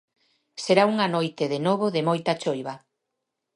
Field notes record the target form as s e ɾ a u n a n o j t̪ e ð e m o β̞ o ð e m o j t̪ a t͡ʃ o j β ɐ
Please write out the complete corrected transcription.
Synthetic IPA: s e ɾ a u ŋ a n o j t̪ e ð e n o β̞ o ð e m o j t̪ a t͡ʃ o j β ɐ